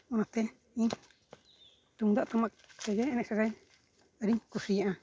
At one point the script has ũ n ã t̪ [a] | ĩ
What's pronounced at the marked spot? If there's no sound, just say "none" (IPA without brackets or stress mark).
e